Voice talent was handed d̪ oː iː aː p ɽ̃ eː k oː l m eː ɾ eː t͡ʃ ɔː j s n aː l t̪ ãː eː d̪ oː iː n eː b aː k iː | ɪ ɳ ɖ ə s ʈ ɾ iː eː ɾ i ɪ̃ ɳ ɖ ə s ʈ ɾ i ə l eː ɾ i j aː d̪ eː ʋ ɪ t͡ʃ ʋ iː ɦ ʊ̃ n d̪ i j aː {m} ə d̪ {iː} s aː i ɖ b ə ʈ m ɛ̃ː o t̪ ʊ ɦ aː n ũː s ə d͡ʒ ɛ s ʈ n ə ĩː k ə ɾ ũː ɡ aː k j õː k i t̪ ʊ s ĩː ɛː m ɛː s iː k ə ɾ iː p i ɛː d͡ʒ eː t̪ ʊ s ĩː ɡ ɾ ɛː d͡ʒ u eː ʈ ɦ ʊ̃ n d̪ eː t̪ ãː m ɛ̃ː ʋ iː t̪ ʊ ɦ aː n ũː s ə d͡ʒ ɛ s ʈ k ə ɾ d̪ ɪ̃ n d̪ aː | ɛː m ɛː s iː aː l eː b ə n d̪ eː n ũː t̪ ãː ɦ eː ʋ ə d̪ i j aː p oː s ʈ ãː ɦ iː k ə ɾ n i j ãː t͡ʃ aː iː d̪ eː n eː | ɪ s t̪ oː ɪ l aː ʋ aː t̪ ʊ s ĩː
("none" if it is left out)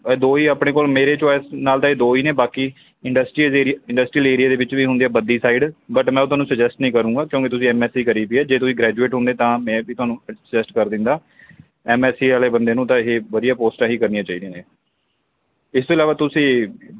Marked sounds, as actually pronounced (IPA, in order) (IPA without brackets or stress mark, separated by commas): b, iː